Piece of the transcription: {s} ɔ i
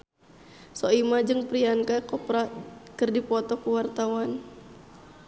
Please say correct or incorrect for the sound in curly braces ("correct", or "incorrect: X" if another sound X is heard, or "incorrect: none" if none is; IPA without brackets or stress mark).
correct